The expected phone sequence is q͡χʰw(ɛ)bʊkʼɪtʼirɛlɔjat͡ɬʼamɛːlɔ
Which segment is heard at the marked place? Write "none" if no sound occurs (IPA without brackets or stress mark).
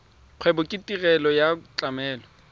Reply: ɛ